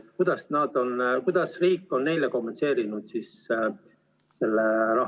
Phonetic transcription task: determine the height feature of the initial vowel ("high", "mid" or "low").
high